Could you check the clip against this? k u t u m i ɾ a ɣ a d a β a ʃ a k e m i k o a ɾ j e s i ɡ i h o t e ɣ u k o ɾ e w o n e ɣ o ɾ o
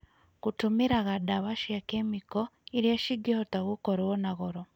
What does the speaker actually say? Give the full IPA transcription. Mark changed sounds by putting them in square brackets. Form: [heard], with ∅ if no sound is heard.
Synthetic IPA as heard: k u t u m i ɾ a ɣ a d a β a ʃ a k e m i k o [i] ɾ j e [ʃ] i ɡ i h o t [a] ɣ u k o ɾ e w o n [a] ɣ o ɾ o